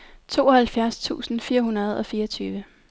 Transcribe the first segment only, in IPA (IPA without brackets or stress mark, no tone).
t͡sʰ